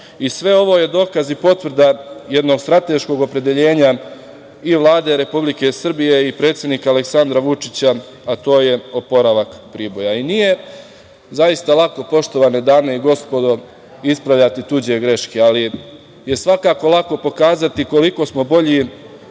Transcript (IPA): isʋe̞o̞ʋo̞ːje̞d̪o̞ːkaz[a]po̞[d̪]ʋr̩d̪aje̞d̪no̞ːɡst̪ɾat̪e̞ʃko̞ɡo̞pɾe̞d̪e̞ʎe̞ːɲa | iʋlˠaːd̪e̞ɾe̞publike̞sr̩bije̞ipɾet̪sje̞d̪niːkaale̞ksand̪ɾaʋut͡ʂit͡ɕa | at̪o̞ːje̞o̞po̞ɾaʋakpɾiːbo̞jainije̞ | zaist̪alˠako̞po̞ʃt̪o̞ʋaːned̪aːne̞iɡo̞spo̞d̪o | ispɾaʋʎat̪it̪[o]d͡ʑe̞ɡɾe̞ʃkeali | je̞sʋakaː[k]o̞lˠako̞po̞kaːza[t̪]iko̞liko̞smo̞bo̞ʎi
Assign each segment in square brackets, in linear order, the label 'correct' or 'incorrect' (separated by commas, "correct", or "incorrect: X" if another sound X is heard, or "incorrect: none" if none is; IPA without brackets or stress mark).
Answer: incorrect: i, incorrect: t̪, incorrect: u, correct, correct